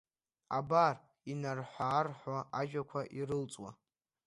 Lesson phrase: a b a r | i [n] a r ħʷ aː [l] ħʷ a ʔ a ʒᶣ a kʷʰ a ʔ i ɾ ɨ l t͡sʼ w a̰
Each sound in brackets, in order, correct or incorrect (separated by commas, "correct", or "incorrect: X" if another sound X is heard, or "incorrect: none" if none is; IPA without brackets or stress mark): correct, incorrect: r